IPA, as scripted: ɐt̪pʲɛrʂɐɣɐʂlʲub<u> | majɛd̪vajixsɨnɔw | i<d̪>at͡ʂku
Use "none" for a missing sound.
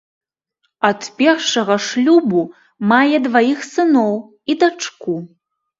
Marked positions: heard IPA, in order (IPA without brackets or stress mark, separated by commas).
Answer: u, d̪